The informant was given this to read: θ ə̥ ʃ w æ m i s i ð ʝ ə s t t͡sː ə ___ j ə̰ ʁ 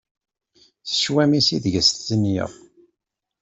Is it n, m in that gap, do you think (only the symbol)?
n